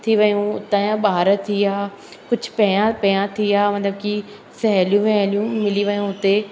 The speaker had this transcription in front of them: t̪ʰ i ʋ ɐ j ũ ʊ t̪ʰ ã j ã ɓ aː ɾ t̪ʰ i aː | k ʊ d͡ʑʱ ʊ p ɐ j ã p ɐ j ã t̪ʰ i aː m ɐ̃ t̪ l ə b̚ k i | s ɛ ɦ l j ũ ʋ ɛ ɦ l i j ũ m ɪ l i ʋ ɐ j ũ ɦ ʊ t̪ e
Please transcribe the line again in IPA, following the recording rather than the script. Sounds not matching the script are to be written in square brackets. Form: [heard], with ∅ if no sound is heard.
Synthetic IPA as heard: t̪ʰ i ʋ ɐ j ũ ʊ [t̪] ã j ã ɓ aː ɾ t̪ʰ i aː | k ʊ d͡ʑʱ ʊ p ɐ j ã p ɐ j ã t̪ʰ i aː m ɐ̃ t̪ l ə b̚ k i | s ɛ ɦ l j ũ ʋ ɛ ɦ l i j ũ m ɪ l i ʋ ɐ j ũ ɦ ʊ t̪ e

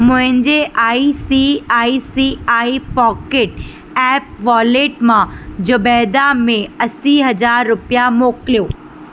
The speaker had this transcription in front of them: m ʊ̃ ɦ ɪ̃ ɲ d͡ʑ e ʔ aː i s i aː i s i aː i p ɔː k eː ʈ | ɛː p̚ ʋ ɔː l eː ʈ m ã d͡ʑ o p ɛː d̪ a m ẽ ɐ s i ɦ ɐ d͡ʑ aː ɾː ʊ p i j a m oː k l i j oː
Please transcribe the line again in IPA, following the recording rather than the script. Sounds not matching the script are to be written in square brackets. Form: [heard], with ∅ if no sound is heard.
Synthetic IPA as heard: m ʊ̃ ɦ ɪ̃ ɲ d͡ʑ e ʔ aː i s i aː i s i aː i p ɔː k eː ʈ | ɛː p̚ ʋ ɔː l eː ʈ m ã d͡ʑ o [b] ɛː d̪ a m ẽ ɐ s i ɦ ɐ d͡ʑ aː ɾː ʊ p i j a m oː k l i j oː

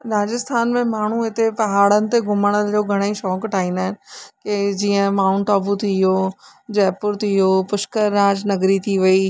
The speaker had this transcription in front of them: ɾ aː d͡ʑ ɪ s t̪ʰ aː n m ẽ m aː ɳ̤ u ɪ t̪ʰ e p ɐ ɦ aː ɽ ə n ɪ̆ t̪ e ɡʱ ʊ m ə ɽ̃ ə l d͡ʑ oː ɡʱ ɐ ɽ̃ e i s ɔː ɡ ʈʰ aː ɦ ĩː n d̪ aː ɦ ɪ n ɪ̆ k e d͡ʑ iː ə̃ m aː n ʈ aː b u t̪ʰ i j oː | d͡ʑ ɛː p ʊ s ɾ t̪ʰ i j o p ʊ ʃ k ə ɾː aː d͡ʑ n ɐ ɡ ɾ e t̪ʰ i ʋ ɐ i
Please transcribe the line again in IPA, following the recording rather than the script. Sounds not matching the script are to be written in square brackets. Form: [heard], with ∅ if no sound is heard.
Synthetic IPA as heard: ɾ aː d͡ʑ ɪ s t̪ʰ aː n m ẽ m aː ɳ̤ u ɪ [t̪] e p ɐ ɦ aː ɽ ə n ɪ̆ t̪ e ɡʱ ʊ m ə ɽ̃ ə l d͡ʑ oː ɡʱ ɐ ɽ̃ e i [ʃ] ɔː [k] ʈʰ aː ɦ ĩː n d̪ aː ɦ ɪ n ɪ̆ k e d͡ʑ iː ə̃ m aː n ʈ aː b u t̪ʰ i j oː | d͡ʑ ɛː p ʊ [∅] ɾ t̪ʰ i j o p ʊ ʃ k ə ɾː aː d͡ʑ n ɐ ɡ ɾ [i] t̪ʰ i ʋ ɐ i

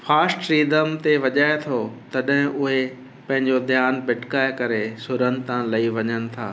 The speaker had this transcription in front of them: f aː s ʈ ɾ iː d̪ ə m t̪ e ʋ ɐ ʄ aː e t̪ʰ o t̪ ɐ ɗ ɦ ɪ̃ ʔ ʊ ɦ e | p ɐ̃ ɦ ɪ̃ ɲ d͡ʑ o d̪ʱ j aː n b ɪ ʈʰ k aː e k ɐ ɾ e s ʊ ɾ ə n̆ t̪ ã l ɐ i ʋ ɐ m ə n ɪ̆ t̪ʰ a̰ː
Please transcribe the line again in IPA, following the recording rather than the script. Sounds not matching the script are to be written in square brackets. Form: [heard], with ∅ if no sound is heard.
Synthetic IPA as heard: f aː s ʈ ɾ iː d̪ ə m t̪ e ʋ ɐ ʄ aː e t̪ʰ o t̪ ɐ ɗ ɦ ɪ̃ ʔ ʊ ɦ e | p ɐ̃ ɦ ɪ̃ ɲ d͡ʑ o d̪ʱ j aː n b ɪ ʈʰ k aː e k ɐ ɾ e s ʊ ɾ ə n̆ t̪ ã l ɐ i ʋ ɐ [ɲ] ə n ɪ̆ t̪ʰ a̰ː

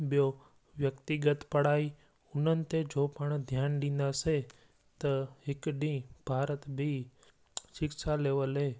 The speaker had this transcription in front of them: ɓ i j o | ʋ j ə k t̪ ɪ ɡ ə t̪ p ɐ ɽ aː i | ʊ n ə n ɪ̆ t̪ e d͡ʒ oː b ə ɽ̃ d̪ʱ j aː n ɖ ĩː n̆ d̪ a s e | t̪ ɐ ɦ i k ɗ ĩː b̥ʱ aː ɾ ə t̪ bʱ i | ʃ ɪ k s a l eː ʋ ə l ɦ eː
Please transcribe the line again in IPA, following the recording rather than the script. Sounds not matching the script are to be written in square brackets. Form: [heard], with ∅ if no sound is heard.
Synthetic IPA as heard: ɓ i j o | ʋ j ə k t̪ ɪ ɡ ə t̪ p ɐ ɽ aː i | ʊ n ə n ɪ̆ t̪ e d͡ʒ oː [p] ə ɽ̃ d̪ʱ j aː n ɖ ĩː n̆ d̪ a s e | t̪ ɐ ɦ [ɪ] k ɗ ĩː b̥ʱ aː ɾ ə t̪ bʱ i | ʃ ɪ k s a l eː ʋ ə l ɦ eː

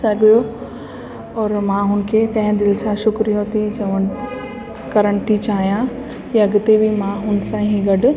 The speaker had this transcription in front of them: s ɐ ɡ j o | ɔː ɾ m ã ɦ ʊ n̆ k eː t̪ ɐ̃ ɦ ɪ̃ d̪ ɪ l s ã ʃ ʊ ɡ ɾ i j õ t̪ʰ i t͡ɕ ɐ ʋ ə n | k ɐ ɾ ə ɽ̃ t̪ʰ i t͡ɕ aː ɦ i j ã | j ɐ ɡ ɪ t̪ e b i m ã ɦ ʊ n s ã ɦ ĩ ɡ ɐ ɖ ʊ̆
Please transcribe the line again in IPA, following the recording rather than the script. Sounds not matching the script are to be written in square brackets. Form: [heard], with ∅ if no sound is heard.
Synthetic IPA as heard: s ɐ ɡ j o | ɔː ɾ m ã ɦ ʊ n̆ [kʰ] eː t̪ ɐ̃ ɦ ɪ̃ d̪ ɪ l s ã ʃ ʊ [k] ɾ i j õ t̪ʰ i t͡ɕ ɐ ʋ ə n | k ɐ ɾ ə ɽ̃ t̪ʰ i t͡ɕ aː ɦ i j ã | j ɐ ɡ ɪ t̪ e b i m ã ɦ ʊ n s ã ɦ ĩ ɡ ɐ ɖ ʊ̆

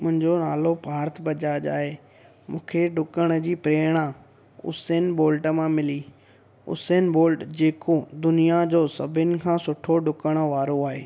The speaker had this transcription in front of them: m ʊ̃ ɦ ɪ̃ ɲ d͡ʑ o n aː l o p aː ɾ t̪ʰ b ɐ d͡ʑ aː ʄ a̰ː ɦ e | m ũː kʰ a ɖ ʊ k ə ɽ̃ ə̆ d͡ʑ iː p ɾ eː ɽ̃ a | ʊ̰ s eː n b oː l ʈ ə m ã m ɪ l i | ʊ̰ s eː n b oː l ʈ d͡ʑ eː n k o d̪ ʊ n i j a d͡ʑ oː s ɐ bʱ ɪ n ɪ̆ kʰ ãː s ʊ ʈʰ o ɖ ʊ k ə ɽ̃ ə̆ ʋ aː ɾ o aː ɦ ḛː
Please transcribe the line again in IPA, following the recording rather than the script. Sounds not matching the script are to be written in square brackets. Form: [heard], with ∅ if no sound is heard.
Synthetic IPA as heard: m ʊ̃ ɦ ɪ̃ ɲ d͡ʑ o n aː l o p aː ɾ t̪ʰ b ɐ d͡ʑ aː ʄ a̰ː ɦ e | m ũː kʰ [e] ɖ ʊ k ə ɽ̃ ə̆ d͡ʑ iː p ɾ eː ɽ̃ a | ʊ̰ s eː n b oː l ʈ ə m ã m ɪ l i | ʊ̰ s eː n b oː l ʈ d͡ʑ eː [∅] k o d̪ ʊ n i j a d͡ʑ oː s ɐ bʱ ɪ n ɪ̆ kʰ ãː s ʊ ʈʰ o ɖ ʊ k ə ɽ̃ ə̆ ʋ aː ɾ o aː ɦ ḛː

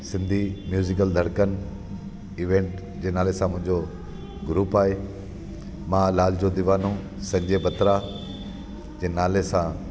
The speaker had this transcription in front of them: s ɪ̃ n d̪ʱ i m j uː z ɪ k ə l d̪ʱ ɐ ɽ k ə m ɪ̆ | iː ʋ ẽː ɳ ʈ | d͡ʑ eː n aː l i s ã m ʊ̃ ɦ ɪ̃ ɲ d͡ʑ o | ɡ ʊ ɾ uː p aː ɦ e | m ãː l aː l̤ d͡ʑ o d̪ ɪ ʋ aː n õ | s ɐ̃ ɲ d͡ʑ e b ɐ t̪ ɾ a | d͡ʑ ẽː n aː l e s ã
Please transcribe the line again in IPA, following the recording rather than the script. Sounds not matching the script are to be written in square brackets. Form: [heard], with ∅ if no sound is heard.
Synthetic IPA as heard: s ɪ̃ n d̪ʱ i m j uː z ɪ k ə l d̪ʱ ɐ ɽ k ə [n] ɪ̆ | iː ʋ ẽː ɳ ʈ | d͡ʑ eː n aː l [e] s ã m ʊ̃ ɦ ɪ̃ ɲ d͡ʑ o | ɡ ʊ ɾ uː p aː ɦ e | m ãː l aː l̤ d͡ʑ o d̪ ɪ ʋ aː n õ | s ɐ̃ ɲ d͡ʑ e b ɐ t̪ ɾ a | d͡ʑ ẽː n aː l e s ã

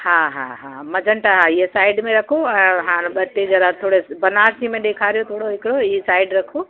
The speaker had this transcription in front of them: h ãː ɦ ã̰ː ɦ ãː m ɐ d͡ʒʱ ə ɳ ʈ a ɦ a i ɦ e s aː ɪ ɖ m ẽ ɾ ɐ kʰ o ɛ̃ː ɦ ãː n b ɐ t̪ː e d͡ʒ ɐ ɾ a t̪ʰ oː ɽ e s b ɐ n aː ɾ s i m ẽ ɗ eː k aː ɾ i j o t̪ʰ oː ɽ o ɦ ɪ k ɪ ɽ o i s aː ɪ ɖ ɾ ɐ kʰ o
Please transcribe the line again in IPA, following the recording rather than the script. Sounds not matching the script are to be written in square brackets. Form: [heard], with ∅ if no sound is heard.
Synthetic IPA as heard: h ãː ɦ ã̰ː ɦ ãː m ɐ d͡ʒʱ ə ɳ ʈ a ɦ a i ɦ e s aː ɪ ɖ m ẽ ɾ ɐ kʰ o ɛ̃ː ɦ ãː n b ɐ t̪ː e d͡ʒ ɐ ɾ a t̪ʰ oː ɽ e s b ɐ n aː ɾ s i m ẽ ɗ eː [kʰ] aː ɾ i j o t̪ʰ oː ɽ o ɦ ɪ k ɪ ɽ o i s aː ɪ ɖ ɾ ɐ kʰ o

